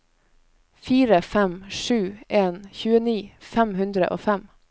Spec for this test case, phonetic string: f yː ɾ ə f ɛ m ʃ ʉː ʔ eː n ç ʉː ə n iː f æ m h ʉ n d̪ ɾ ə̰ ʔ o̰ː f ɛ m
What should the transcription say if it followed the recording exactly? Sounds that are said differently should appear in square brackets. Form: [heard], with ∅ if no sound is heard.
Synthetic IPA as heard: f [iː] ɾ ə f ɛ m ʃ ʉː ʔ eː n ç ʉː ə n iː f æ m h ʉ n d̪ ɾ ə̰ ʔ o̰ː f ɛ m